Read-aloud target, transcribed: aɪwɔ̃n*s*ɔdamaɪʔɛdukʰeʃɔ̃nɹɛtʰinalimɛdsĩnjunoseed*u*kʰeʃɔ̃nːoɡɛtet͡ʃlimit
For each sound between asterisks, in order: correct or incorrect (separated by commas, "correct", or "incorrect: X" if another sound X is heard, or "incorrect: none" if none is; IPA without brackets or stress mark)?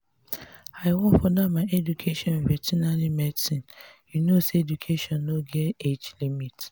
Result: incorrect: f, correct